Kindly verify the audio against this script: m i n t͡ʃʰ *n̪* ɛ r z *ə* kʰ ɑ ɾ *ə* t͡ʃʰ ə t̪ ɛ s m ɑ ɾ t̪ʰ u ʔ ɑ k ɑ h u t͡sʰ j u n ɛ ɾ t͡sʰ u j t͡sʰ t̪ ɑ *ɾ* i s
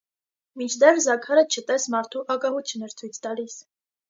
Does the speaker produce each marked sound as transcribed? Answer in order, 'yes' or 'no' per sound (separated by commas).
no, no, yes, no